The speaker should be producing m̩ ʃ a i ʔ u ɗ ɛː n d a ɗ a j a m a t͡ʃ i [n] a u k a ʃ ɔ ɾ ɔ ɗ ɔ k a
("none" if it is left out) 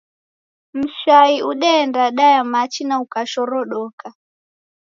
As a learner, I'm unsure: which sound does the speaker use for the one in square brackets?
n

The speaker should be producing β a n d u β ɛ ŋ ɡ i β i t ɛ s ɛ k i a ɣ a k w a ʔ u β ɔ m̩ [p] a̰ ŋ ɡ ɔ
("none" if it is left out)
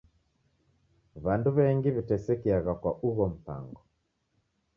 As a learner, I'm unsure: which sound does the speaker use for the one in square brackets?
p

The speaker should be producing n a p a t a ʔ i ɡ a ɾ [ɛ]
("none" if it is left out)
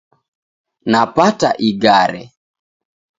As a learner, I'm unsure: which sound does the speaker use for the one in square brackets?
ɛ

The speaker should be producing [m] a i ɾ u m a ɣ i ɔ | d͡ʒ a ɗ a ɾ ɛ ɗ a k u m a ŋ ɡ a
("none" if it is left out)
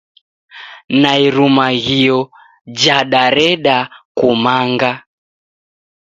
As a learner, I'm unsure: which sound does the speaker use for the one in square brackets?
n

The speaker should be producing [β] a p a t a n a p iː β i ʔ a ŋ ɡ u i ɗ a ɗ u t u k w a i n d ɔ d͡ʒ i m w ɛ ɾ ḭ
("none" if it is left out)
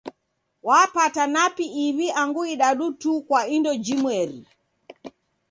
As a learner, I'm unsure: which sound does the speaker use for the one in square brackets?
w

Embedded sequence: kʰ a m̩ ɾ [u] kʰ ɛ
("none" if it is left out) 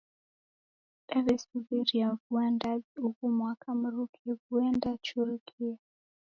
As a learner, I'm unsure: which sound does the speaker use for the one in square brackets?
u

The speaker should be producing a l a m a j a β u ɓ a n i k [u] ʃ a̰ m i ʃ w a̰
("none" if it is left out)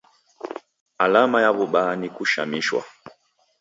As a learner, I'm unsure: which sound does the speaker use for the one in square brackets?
u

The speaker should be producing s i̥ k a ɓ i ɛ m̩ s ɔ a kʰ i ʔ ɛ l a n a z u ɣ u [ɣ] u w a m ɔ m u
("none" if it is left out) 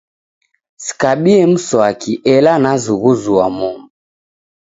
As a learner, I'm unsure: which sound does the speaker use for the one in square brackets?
z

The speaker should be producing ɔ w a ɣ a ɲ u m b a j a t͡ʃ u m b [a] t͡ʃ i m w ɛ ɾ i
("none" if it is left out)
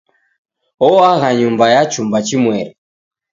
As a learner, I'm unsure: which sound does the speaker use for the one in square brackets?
a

